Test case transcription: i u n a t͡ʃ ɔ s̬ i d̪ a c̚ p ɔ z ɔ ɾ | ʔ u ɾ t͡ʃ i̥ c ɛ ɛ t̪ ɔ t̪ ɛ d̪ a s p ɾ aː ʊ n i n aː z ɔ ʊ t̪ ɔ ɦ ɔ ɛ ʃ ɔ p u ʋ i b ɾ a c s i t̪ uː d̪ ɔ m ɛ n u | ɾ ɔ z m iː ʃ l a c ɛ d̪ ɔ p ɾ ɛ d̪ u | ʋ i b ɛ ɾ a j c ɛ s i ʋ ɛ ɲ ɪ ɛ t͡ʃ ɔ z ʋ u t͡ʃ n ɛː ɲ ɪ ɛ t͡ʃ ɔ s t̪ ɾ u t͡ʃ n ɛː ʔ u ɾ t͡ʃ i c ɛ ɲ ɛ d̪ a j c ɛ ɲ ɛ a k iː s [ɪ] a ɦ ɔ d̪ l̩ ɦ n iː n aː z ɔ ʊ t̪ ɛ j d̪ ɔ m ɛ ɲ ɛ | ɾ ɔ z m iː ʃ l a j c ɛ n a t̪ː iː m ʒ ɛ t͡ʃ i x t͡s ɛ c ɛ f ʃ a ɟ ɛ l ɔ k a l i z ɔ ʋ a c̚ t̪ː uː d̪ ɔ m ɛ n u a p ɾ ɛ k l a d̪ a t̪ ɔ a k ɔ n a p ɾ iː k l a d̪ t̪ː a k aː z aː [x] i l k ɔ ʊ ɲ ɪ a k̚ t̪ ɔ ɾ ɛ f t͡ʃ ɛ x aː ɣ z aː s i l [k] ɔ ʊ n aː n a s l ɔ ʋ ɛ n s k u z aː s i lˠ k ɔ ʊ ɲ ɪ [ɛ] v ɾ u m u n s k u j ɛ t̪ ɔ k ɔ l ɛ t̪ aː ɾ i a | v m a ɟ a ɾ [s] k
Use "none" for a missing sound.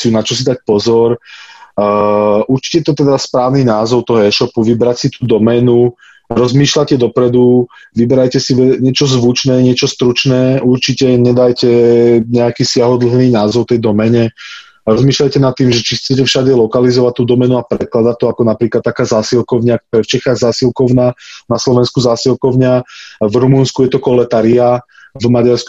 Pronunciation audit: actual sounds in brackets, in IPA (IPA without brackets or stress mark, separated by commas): ɪ, s, k, a, s